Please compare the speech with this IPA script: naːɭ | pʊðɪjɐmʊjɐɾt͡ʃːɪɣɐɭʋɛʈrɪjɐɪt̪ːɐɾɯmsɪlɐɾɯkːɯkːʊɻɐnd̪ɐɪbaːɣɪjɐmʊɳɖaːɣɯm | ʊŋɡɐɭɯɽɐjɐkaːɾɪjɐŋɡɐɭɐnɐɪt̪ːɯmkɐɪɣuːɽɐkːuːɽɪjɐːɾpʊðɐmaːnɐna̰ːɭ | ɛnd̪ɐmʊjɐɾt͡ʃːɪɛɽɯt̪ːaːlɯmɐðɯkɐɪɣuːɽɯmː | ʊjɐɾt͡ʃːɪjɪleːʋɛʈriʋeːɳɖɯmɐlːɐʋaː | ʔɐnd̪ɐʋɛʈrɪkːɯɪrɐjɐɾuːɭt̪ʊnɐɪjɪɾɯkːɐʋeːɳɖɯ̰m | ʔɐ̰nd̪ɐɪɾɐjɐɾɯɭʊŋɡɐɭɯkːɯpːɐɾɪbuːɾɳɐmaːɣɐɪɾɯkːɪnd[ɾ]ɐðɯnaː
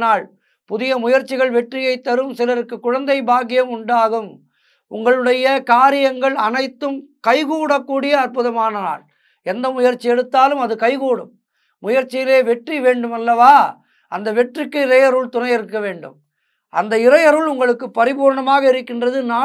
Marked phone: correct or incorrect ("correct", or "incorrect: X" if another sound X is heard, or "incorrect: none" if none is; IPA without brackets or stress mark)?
incorrect: r